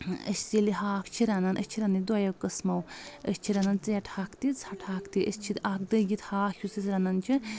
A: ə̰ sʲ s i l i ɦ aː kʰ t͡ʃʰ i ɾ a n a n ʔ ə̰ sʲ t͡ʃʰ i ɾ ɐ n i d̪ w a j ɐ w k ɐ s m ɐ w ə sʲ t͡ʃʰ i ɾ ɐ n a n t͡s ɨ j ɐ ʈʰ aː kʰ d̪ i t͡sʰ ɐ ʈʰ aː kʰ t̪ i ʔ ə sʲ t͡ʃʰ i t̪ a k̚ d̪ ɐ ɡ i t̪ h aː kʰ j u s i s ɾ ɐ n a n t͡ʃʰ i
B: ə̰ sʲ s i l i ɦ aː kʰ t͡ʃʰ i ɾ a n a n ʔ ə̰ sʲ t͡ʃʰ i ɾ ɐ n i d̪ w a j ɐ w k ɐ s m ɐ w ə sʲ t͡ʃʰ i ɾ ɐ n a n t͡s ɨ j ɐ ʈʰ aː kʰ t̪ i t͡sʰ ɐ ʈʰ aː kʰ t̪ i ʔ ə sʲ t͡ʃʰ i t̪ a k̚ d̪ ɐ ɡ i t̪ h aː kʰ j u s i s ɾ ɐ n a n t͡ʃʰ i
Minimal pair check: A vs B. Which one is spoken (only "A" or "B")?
B